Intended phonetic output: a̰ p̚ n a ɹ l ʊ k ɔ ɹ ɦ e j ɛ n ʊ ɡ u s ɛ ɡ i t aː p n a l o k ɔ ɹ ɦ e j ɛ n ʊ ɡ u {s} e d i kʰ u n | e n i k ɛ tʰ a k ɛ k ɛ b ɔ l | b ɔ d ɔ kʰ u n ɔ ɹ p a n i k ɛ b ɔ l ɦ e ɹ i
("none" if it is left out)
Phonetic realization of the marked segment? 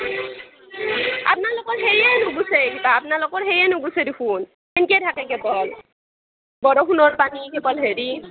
s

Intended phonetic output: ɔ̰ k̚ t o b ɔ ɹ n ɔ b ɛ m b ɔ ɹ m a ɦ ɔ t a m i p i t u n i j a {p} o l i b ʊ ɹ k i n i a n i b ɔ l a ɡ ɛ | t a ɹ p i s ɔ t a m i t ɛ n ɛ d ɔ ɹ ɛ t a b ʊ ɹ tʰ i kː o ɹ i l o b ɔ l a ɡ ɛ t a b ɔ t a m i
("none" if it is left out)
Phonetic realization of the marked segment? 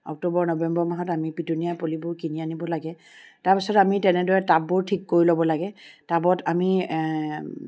p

